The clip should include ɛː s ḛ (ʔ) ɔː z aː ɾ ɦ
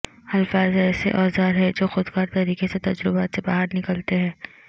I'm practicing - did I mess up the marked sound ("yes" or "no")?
no